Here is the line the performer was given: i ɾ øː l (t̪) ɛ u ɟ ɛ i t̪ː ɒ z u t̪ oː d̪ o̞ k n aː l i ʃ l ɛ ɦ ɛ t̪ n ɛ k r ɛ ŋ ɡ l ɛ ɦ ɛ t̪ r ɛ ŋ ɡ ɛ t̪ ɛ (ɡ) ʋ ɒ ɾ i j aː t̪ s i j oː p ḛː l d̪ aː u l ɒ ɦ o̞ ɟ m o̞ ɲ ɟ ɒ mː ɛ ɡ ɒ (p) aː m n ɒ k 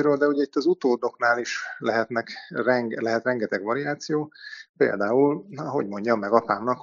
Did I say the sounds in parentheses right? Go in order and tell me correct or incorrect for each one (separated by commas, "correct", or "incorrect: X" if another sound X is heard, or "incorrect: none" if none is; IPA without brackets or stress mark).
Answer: incorrect: d̪, correct, correct